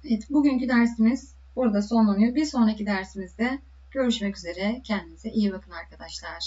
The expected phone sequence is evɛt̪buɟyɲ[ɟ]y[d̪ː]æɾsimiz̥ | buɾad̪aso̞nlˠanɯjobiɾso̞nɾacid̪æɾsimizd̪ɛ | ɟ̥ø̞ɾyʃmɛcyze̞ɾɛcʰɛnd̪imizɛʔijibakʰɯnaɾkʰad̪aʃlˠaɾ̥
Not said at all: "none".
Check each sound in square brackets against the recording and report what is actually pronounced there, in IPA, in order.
c, d̪

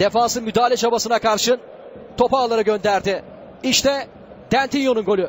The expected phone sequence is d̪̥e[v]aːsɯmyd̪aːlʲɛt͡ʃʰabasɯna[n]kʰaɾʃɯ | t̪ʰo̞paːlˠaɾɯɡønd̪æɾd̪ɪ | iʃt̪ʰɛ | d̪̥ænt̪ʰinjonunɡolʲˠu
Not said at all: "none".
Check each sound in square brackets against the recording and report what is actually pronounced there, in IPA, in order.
f, none

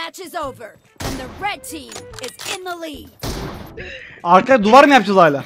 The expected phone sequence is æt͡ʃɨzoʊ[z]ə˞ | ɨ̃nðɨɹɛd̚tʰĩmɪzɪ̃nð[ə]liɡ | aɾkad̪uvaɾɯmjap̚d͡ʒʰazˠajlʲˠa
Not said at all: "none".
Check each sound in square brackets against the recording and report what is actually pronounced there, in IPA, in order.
v, ə

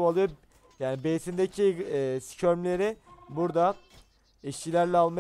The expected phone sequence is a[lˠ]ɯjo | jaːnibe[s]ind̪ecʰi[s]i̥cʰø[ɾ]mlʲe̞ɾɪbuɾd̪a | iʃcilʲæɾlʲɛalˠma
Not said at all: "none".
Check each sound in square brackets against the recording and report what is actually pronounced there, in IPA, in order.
lˠ, s, s, ɾ

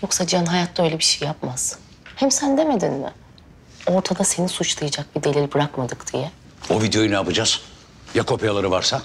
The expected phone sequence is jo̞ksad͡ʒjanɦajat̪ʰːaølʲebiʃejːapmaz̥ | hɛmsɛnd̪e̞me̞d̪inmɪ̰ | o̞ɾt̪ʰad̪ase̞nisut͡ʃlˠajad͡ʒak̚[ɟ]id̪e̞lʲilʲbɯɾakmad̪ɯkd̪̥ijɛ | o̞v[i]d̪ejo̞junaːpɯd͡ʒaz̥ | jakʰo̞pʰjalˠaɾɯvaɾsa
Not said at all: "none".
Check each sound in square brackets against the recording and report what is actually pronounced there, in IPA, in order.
b, i

